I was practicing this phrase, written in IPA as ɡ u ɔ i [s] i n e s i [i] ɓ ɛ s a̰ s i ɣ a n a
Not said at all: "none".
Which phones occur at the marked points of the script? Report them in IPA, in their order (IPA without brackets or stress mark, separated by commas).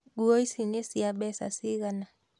s, a